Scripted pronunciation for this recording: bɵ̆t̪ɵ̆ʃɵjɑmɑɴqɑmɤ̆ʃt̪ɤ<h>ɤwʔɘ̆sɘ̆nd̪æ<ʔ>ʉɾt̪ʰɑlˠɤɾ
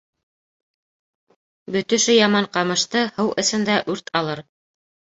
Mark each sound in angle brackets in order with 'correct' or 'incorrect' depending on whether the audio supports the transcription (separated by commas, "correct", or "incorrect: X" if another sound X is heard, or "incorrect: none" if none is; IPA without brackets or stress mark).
correct, correct